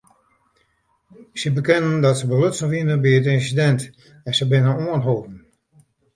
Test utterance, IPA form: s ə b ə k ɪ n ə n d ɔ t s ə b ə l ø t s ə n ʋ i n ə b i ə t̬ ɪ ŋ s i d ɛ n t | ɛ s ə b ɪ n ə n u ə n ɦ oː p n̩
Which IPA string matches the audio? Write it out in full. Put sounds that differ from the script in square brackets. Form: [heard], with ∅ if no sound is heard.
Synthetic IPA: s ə b ə k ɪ n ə n d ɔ t s ə b ə l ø t s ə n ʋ i n ə b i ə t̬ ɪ [n] s i d ɛ n t | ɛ s ə b ɪ n ə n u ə n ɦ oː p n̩